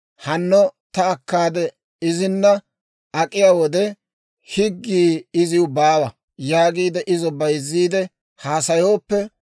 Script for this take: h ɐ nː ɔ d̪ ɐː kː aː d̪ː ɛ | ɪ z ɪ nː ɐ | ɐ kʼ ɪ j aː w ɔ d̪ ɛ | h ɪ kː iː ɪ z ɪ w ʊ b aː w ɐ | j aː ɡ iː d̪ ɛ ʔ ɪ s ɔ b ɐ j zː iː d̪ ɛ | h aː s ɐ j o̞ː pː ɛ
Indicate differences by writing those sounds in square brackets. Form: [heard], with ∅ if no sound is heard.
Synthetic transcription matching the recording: h ɐ nː ɔ [t̪] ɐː kː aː [d̪] ɛ | ɪ z ɪ nː ɐ | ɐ kʼ ɪ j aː w ɔ d̪ ɛ | h ɪ [ɡː] iː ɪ z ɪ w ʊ b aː w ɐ | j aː ɡ iː d̪ ɛ ʔ ɪ [z] ɔ b ɐ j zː iː d̪ ɛ | h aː s ɐ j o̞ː pː ɛ